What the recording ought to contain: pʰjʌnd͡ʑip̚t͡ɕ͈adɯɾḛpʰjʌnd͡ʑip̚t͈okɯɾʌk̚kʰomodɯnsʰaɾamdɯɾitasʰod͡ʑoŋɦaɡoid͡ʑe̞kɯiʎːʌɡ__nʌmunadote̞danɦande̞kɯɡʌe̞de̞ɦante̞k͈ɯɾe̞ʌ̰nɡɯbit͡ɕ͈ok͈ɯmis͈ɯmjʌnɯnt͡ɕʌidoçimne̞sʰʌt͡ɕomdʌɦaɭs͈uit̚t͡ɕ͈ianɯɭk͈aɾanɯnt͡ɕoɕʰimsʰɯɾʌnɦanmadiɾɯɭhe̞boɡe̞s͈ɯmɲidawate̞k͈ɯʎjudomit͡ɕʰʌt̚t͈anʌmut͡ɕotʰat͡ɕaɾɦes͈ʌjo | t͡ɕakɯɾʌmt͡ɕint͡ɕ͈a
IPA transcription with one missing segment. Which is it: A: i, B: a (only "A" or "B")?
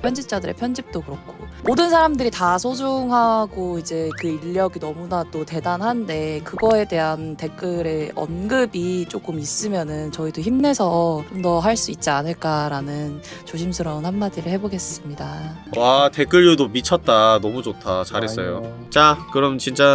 A